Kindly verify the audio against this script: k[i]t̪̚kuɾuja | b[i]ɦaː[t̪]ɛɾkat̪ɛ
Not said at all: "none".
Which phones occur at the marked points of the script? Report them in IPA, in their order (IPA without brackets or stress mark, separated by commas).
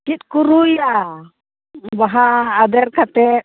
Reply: i, a, d̪